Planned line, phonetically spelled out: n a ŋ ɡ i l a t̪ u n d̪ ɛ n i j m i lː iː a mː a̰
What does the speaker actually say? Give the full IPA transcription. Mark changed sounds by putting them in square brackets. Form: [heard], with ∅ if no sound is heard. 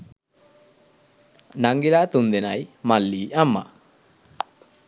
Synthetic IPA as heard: n a ŋ ɡ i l a t̪ u n d̪ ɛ n [a] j m [a] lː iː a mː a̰